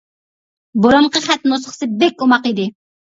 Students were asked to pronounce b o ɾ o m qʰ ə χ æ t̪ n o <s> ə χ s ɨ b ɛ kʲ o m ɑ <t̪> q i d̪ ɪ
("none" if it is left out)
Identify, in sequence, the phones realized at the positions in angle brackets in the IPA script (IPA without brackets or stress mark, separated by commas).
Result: s, none